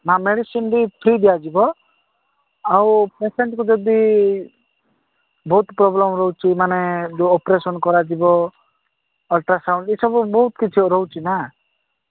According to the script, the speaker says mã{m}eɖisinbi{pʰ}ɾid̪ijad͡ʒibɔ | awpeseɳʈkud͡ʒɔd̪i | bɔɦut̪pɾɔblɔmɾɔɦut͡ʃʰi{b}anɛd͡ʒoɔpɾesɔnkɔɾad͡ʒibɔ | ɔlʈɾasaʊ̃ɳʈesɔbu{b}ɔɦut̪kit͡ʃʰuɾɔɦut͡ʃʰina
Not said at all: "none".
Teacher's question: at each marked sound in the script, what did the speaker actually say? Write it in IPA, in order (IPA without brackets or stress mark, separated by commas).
m, pʰ, m, b